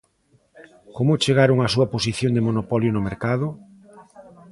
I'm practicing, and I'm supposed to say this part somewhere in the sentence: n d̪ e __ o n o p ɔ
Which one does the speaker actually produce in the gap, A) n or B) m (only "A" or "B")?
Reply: B